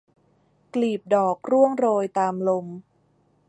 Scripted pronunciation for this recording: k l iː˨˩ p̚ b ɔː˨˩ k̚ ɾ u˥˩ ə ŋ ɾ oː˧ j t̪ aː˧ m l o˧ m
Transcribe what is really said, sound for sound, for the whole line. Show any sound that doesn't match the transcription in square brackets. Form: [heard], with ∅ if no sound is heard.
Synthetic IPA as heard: k l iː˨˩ p̚ [d] ɔː˨˩ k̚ ɾ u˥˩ ə ŋ ɾ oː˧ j t̪ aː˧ m l o˧ m